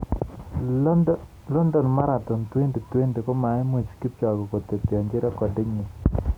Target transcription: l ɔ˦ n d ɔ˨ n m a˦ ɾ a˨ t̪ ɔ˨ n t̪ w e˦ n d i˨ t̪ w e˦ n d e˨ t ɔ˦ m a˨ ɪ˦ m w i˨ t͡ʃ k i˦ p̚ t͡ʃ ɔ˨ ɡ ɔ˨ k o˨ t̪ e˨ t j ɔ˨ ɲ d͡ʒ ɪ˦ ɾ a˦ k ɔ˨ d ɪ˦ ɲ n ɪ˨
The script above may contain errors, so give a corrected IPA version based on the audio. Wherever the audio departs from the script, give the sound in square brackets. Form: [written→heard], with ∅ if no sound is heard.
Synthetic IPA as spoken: l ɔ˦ n d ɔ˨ n m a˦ ɾ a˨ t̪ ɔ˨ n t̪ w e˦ n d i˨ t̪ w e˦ n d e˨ [t→k] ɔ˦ m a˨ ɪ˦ m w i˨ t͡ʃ k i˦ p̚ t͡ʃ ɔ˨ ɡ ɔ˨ k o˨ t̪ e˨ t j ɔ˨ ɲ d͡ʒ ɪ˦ ɾ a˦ k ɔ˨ d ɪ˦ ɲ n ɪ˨